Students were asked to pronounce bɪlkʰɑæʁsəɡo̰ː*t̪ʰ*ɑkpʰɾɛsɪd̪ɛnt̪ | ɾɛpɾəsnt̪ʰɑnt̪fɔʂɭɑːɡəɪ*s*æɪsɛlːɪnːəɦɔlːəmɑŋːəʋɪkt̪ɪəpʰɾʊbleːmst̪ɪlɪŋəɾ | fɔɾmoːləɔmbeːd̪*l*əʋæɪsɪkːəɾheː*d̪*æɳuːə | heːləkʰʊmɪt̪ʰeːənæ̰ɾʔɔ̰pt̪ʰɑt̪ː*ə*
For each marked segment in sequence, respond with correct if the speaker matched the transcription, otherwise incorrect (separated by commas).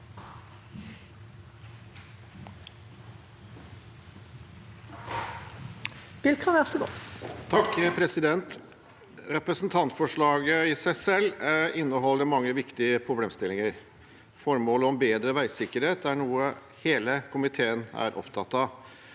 correct, correct, incorrect, incorrect, incorrect